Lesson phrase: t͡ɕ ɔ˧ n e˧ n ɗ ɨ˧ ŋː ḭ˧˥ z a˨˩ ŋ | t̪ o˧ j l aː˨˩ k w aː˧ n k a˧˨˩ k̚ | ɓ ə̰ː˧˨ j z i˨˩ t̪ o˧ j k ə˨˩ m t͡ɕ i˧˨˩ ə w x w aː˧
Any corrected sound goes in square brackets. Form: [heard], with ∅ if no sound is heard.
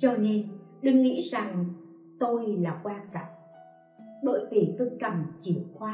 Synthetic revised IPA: t͡ɕ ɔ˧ n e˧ n ɗ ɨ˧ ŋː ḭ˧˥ z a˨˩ ŋ | t̪ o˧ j l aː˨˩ k w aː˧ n k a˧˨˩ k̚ | ɓ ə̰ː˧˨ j [v] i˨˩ t̪ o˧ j k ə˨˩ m t͡ɕ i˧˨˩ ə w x w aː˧